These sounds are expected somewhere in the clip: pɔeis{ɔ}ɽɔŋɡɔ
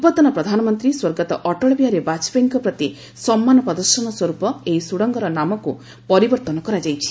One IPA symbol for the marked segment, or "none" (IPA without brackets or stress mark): u